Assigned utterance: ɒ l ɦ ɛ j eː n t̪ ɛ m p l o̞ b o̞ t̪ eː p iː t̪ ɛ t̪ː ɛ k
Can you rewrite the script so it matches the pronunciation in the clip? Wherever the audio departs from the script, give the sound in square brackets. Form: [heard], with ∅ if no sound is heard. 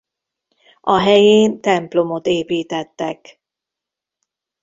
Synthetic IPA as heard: ɒ [∅] ɦ ɛ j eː n t̪ ɛ m p l o̞ [m] o̞ t̪ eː p iː t̪ ɛ t̪ː ɛ k